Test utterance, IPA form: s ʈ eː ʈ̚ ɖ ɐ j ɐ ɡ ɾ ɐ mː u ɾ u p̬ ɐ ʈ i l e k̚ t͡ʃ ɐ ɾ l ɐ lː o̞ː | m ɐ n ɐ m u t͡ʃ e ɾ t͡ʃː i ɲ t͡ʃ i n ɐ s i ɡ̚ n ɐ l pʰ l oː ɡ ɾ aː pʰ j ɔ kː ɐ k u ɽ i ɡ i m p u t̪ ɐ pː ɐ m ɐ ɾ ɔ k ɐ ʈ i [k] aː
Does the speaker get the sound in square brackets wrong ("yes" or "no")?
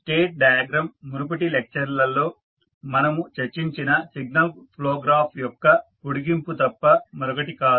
no